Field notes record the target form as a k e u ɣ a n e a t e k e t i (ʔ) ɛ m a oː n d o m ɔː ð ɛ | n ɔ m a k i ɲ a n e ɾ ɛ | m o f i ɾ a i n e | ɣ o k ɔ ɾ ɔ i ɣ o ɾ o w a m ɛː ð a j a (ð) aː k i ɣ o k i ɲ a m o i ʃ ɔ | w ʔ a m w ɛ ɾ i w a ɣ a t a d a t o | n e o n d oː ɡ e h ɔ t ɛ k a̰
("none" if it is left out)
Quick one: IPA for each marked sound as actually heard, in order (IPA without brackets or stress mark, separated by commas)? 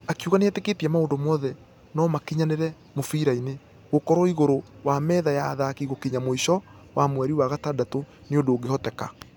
none, ð